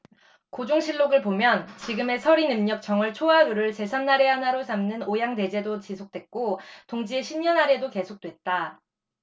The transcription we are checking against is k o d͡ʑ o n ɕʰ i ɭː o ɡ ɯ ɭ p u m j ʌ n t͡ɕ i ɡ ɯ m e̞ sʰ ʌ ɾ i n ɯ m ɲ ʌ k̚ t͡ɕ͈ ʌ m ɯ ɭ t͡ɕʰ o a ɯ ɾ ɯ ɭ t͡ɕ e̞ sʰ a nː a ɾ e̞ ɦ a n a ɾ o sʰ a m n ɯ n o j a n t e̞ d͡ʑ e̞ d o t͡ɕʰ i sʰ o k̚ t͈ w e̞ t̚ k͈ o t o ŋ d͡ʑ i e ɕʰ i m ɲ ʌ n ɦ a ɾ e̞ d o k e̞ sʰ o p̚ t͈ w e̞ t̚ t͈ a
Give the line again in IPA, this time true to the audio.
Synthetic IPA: k o d͡ʑ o ŋ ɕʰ i ɭː o ɡ ɯ ɭ p o m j ʌ n t͡ɕ i ɡ ɯ m e̞ sʰ ʌ ɾ i n ɯ m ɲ ʌ k̚ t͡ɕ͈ ʌ ŋ ɯ ɭ t͡ɕʰ o a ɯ ɾ ɯ ɭ t͡ɕ e̞ sʰ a nː a ɾ e̞ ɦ a n a ɾ o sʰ a m n ɯ n o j a ŋ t e̞ d͡ʑ e̞ d o t͡ɕ i sʰ o k̚ t͈ w e̞ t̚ k͈ o t o ŋ d͡ʑ i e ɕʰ i m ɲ ʌ n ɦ a ɾ e̞ d o k e̞ sʰ o k̚ t͈ w e̞ t̚ t͈ a

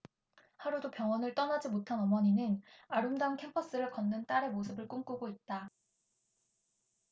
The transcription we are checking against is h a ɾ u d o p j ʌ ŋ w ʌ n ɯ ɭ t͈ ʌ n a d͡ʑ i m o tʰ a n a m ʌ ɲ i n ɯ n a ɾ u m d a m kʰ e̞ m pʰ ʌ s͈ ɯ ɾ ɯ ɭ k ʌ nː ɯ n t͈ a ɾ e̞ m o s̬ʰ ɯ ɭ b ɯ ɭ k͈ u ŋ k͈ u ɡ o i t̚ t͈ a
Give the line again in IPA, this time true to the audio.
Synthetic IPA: h a ɾ u d o p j ʌ ŋ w ʌ n ɯ ɭ t͈ ʌ n a d͡ʑ i m o tʰ a n ʌ m ʌ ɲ i n ɯ n a ɾ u m d a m kʰ e̞ m pʰ ʌ s͈ ɯ ɾ ɯ ɭ k ʌ nː ɯ n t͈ a ɾ e̞ m o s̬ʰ ɯ b ɯ ɭ k͈ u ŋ k͈ u ɡ o i t̚ t͈ a

